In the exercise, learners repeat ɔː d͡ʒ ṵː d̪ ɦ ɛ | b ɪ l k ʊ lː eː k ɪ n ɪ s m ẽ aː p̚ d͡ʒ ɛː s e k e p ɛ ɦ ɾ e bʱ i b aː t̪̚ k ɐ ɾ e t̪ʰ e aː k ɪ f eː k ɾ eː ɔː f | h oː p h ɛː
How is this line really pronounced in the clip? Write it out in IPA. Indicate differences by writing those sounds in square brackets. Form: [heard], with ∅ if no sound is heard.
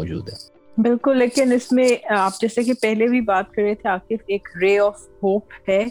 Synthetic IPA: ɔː d͡ʒ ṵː d̪ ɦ ɛ | b ɪ l k ʊ lː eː k ɪ n ɪ s m ẽ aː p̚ d͡ʒ ɛː s e k e p ɛ ɦ [l] e bʱ i b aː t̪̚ k ɐ ɾ e t̪ʰ e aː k ɪ f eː k ɾ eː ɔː f | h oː p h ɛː